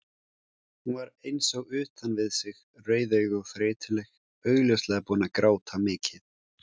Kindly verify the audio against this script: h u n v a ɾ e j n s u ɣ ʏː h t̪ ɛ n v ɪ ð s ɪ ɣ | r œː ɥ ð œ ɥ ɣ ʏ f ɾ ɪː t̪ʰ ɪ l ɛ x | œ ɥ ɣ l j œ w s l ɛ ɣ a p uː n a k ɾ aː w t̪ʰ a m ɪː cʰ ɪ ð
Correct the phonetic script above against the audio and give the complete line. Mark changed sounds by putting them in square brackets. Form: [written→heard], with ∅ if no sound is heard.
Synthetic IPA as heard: h u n v a ɾ e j n s [u→ɔ] ɣ ʏː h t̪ [ɛ→a] n v ɪ ð s ɪ ɣ | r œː ɥ ð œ ɥ ɣ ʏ f ɾ ɪː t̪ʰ ɪ l ɛ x | œ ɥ ɣ l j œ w s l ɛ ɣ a p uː n a k ɾ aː w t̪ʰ a m ɪː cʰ ɪ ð